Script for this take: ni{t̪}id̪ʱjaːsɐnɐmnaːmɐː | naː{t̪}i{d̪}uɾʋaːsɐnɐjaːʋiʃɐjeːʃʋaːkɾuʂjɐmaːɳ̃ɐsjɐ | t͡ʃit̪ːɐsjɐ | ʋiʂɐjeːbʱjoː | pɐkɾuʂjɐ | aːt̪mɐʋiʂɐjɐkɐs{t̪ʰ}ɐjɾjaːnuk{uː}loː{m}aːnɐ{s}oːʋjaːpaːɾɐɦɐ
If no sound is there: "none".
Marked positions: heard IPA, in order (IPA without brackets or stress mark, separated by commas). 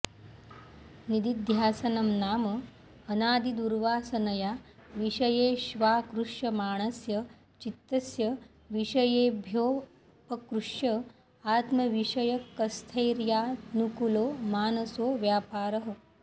d̪, d̪, d̪, t̪ʰ, u, m, s